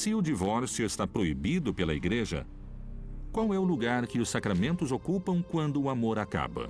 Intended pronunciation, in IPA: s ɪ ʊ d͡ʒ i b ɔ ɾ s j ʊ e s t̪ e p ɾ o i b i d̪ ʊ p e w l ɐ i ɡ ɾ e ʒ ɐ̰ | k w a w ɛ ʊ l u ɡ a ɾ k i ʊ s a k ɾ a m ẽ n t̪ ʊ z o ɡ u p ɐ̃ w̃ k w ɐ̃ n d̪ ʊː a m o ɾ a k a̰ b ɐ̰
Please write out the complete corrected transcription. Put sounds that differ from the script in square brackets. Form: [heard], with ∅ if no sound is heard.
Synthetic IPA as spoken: s ɪ ʊ d͡ʒ i [v] ɔ ɾ s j ʊ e s t̪ [a] p ɾ o i b i d̪ ʊ p e [∅] l ɐ i ɡ ɾ e ʒ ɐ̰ | k w a w ɛ ʊ l u ɡ a ɾ k [ɪ] ʊ s a k ɾ a m ẽ n t̪ ʊ z o [k] u p ɐ̃ w̃ k w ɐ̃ n d̪ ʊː a m o ɾ a k a̰ b ɐ̰